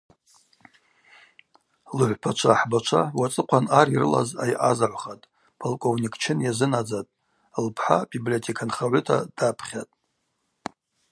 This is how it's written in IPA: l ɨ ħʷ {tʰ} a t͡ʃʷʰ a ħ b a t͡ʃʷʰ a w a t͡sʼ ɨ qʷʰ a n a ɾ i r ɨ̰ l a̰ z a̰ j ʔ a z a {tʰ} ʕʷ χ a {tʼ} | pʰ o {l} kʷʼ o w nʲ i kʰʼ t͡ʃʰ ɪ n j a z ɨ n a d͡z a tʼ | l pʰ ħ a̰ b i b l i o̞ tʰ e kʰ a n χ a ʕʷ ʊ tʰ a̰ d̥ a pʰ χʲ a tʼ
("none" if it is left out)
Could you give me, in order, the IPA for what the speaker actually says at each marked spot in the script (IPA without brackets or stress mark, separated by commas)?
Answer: pʰ, none, tʼ, l